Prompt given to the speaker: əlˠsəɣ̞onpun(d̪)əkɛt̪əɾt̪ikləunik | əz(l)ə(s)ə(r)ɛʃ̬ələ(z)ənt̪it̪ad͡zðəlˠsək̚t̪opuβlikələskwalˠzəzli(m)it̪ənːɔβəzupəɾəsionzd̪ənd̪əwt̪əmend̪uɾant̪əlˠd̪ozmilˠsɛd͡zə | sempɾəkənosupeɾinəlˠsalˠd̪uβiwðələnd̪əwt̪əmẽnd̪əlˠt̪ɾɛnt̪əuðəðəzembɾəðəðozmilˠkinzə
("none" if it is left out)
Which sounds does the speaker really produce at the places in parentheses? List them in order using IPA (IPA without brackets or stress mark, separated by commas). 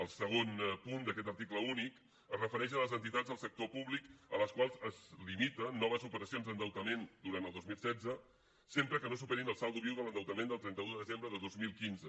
d̪, r, f, ɾ, z, m